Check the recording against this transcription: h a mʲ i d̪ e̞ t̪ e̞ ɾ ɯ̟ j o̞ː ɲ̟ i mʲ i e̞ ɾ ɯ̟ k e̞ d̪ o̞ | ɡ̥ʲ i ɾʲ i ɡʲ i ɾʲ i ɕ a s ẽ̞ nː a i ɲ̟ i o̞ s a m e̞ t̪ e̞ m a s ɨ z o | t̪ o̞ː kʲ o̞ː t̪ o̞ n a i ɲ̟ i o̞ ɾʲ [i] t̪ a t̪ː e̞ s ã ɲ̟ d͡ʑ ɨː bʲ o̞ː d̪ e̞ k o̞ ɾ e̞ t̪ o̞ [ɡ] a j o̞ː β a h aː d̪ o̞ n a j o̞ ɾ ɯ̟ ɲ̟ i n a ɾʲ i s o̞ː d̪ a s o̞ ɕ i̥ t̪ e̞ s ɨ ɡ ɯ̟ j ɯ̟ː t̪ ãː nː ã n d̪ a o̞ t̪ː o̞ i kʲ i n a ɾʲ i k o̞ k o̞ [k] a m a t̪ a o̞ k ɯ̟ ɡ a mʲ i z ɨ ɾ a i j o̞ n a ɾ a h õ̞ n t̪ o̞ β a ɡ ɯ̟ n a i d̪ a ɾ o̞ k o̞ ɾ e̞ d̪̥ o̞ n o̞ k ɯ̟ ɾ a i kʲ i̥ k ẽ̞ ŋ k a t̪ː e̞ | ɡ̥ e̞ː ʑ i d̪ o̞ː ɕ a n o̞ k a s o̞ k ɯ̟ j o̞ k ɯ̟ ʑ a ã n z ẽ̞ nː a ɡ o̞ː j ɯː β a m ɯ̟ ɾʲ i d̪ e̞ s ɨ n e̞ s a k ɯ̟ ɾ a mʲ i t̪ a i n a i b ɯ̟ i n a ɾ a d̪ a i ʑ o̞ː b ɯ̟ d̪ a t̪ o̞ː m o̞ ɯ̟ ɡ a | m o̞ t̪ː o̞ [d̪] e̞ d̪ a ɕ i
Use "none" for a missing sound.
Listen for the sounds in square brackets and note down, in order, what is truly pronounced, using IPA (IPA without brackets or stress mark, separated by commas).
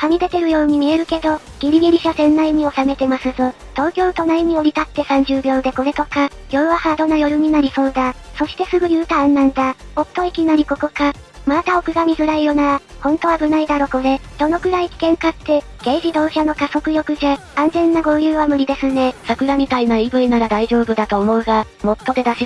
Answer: i, k, k, d̪